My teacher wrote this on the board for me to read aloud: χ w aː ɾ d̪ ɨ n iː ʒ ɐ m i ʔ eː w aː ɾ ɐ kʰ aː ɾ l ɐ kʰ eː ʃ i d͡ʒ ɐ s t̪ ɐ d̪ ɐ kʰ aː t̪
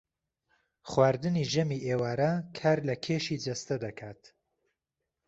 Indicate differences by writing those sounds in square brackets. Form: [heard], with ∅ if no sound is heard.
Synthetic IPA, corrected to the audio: χ w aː ɾ d̪ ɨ n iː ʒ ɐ m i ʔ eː w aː ɾ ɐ kʰ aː ɾ l ɐ kʰ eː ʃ i d͡ʒ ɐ s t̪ ɐ d̪ ɐ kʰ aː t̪